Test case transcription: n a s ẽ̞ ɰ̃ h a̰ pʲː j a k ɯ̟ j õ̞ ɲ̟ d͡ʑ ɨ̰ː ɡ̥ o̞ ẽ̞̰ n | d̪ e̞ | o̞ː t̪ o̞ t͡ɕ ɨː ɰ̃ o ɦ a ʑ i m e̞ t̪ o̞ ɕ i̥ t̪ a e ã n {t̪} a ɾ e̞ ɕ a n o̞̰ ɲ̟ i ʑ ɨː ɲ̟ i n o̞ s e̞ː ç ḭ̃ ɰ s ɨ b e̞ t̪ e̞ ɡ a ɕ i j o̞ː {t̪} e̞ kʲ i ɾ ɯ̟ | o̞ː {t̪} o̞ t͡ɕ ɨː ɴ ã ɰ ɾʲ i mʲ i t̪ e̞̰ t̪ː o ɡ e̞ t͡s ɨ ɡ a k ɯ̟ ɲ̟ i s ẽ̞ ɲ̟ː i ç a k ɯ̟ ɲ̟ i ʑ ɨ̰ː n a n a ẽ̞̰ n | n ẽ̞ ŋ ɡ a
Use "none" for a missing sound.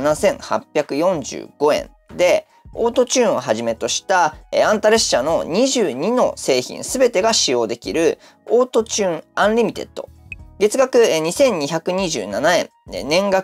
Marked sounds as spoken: t̪, d̪, t̪

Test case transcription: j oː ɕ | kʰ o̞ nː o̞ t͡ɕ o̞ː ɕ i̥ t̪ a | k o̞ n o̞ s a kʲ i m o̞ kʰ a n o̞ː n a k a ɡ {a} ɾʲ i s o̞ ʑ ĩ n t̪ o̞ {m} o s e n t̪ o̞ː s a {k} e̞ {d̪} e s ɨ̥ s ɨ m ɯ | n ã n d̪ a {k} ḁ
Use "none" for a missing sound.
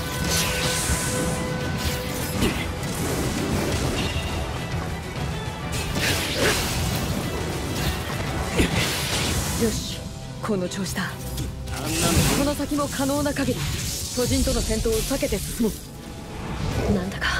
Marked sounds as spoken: e, n, k, t̪, k

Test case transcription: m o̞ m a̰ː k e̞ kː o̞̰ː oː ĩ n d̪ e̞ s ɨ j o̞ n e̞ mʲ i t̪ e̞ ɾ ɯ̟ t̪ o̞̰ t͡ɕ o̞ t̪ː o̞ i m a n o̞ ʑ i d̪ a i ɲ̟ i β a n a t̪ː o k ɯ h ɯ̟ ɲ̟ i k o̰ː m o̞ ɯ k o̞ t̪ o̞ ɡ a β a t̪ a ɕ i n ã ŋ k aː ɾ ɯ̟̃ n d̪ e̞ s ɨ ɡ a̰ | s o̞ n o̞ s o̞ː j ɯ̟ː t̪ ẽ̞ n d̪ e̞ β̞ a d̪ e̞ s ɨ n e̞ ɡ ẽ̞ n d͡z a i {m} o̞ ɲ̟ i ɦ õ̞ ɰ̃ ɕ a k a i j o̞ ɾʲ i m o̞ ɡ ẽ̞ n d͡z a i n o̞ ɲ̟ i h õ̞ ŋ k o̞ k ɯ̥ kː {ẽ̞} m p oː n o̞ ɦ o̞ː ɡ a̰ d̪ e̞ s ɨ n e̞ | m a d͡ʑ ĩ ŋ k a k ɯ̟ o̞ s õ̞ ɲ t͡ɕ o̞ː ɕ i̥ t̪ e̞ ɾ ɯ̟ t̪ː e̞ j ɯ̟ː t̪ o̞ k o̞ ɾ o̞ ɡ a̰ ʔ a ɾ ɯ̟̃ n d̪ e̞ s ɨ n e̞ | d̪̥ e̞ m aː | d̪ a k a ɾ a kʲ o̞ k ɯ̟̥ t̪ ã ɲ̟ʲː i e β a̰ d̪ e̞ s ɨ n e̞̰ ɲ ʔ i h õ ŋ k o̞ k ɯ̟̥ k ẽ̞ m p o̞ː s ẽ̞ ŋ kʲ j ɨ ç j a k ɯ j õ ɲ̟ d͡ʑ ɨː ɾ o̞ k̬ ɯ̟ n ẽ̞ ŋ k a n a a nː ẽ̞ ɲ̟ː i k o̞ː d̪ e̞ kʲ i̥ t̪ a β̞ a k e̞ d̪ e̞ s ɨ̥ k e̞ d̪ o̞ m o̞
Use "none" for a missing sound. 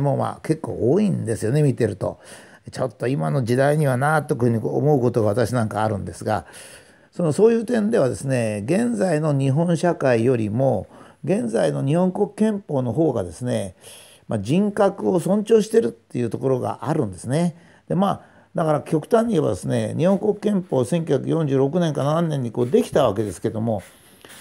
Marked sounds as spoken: n, ẽ̞

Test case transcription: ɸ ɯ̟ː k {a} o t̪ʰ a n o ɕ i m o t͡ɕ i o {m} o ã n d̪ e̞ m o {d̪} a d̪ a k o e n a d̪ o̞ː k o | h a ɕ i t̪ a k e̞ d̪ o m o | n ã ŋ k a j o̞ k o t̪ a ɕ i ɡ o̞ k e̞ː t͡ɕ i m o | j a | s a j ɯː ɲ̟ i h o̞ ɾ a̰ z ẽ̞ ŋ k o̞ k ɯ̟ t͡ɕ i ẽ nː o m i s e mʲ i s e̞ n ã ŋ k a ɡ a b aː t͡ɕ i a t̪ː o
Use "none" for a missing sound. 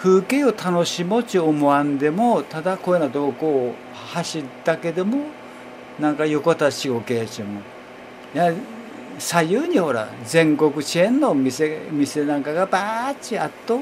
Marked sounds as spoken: e, m, t̪

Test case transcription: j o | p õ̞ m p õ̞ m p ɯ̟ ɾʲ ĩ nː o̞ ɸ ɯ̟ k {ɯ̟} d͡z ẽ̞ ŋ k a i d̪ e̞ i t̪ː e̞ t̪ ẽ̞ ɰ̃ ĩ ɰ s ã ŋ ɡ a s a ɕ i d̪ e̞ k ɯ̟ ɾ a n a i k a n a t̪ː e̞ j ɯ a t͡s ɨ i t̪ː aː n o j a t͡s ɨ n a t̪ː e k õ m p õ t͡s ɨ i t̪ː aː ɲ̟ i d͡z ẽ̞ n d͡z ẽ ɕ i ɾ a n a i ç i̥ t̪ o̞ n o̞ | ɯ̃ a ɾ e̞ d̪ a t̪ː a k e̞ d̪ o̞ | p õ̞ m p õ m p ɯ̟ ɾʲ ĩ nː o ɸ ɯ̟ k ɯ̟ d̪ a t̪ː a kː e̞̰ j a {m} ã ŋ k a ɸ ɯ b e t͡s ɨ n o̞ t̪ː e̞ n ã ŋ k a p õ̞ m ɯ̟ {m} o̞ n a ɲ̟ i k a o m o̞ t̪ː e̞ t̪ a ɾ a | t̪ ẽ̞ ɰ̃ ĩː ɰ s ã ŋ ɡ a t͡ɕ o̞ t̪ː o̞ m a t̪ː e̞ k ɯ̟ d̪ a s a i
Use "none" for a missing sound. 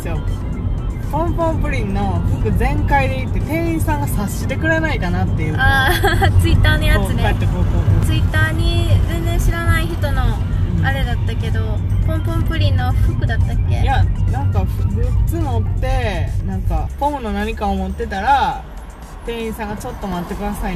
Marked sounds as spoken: ɯ̟, n, n

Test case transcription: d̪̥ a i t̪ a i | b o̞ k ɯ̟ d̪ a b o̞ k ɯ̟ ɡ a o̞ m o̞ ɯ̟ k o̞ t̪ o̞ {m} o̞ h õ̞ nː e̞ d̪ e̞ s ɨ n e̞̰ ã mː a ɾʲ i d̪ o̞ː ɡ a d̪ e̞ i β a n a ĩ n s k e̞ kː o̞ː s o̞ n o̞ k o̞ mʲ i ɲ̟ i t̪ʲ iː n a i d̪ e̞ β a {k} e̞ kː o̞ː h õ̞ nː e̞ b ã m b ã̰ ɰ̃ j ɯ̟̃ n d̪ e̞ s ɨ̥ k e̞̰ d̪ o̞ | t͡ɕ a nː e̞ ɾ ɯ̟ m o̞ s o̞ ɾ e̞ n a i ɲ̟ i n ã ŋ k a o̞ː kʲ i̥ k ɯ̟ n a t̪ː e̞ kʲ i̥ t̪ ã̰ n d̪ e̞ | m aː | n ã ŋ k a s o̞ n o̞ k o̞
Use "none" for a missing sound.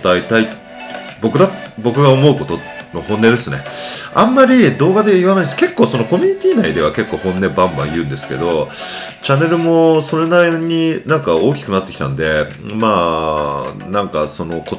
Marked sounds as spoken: n, k

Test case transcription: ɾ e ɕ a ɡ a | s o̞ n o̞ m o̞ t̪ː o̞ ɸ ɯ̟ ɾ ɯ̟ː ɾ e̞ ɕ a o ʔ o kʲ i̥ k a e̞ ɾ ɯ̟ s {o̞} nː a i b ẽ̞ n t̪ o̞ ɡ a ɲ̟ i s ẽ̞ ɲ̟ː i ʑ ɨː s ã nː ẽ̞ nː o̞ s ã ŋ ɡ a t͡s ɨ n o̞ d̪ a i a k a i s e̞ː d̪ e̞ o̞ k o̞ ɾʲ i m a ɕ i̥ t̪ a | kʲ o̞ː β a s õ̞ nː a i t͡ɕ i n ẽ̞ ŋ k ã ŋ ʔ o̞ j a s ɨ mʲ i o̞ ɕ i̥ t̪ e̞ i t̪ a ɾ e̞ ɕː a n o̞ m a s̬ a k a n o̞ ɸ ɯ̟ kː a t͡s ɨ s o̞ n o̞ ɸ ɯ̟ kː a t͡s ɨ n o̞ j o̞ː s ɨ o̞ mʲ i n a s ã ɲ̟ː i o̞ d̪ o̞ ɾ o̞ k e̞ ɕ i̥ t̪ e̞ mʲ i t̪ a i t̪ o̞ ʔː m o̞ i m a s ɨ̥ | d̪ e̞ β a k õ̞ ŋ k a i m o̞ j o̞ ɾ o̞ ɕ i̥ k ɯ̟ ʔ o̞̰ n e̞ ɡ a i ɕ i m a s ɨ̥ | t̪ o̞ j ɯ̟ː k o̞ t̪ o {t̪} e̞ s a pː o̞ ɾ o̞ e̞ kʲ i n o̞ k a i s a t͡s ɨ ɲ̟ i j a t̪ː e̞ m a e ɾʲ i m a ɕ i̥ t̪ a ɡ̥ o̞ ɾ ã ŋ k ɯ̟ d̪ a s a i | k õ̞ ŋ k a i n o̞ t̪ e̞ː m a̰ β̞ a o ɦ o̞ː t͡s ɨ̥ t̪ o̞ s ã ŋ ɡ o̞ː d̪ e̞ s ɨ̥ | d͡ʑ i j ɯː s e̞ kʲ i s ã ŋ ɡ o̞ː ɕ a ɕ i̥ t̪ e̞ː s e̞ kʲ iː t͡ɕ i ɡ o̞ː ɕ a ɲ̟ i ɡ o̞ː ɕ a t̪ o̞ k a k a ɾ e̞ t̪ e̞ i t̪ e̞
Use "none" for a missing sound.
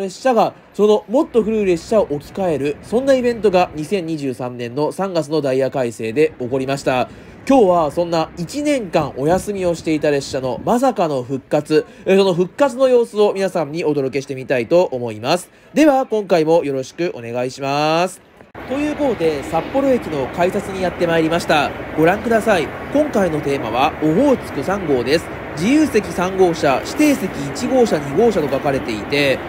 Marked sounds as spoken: õ̞, d̪

